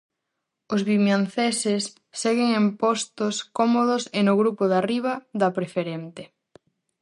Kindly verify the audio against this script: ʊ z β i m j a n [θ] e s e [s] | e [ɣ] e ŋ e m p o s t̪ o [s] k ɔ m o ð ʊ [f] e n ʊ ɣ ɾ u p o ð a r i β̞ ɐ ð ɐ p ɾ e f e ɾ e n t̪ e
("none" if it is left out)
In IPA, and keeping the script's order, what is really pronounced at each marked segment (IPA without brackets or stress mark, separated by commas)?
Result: θ, sː, ɣ, s, s